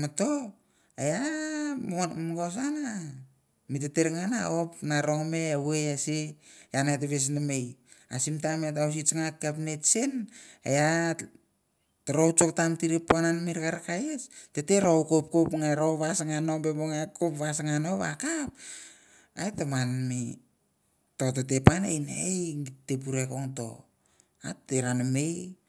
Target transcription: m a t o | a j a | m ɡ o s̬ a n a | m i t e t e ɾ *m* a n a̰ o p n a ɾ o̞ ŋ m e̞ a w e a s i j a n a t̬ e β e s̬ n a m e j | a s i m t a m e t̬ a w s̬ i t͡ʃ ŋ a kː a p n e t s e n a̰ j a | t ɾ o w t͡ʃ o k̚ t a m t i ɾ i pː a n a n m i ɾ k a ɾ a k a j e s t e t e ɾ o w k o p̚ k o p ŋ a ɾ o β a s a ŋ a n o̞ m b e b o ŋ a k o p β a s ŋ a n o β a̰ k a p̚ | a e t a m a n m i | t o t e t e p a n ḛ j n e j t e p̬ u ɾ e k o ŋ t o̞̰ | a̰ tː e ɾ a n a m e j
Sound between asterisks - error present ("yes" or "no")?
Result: yes